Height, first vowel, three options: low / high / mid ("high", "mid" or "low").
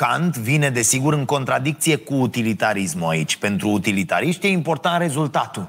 low